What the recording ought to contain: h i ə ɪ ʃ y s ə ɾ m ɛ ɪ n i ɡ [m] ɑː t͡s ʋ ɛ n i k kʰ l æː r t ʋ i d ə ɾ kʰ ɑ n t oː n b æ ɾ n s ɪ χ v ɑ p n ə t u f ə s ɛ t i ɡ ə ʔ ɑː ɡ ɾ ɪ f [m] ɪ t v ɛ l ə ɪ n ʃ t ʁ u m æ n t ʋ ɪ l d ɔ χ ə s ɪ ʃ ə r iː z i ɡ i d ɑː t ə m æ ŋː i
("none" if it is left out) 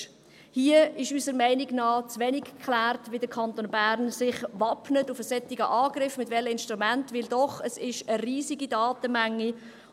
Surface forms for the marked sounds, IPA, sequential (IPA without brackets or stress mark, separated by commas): n, m